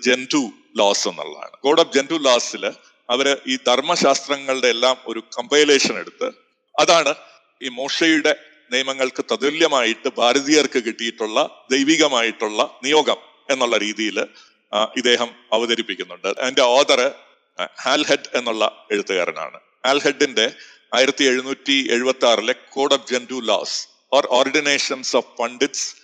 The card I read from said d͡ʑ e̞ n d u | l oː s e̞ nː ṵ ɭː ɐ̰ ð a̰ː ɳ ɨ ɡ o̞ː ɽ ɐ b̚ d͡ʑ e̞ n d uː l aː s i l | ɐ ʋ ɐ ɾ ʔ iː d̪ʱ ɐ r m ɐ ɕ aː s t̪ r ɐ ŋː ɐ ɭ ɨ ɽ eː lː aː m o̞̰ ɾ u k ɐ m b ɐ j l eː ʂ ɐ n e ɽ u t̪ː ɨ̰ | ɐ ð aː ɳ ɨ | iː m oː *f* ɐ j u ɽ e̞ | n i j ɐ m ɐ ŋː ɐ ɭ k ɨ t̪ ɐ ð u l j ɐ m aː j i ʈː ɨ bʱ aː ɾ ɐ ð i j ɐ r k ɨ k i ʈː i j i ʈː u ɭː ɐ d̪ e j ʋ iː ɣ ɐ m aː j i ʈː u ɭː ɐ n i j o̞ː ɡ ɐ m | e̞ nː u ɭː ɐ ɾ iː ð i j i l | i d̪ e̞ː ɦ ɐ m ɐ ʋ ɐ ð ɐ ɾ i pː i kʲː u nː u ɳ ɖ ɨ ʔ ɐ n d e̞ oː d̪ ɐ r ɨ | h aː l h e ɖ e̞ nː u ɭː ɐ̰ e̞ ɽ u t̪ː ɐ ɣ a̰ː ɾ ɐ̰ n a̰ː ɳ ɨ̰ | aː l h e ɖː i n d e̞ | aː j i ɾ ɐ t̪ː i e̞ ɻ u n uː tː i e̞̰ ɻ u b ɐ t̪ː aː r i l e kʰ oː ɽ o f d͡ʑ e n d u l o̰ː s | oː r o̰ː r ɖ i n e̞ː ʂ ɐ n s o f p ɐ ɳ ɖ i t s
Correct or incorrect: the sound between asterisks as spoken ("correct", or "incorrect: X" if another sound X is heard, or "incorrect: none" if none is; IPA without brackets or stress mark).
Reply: incorrect: ʂ